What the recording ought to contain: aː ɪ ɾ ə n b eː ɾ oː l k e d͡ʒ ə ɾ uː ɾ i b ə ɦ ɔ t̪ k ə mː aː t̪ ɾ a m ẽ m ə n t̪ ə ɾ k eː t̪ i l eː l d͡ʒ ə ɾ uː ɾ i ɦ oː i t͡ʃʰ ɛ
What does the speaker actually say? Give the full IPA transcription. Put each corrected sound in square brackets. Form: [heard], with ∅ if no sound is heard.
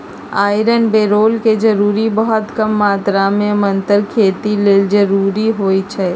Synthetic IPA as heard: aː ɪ ɾ ə n b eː ɾ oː l k e d͡ʒ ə ɾ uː ɾ i b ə ɦ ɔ t̪ k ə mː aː t̪ ɾ a m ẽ m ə n t̪ ə ɾ [kʰ] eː t̪ i l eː l d͡ʒ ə ɾ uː ɾ i ɦ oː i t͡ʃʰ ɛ